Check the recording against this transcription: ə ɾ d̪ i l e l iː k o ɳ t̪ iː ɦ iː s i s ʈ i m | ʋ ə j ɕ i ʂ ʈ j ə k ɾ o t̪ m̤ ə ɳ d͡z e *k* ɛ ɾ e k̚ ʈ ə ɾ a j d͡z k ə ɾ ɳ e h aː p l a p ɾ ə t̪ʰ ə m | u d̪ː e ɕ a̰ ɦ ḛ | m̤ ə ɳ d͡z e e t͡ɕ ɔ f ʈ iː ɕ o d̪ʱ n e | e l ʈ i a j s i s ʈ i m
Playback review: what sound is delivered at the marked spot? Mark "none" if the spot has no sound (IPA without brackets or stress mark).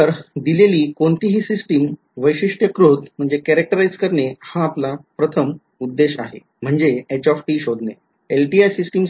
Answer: k